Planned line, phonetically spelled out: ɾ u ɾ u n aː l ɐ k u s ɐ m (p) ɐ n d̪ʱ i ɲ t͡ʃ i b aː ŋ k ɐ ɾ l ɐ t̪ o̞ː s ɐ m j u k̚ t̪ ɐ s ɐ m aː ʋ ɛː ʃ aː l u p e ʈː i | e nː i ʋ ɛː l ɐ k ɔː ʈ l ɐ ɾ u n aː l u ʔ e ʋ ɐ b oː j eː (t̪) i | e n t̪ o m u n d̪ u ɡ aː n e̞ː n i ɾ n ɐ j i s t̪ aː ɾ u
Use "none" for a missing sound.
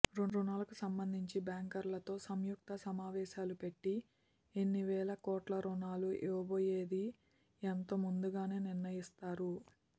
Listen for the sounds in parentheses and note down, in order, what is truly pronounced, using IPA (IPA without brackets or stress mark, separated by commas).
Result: b, d̪